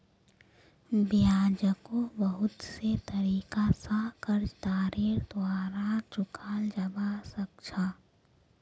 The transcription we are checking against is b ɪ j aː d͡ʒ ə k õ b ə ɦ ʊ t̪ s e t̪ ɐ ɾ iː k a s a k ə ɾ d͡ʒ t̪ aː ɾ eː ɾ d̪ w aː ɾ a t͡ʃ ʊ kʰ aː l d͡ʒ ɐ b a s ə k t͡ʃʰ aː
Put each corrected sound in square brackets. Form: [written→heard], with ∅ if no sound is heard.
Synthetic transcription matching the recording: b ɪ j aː d͡ʒ ə k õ b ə ɦ ʊ t̪ s e t̪ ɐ ɾ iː k a s a k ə ɾ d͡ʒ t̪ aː ɾ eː ɾ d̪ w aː ɾ a t͡ʃ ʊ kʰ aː l d͡ʒ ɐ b a s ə k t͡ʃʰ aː